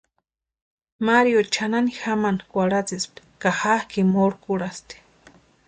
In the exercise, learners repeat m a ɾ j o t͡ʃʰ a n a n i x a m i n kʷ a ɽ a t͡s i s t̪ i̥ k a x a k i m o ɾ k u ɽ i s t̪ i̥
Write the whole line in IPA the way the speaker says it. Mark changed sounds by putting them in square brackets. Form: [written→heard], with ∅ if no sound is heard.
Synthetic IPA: m a ɾ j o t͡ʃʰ a n a n i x a m [i→a] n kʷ a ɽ a t͡s i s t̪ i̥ k a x a k i m o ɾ k u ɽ [i→a] s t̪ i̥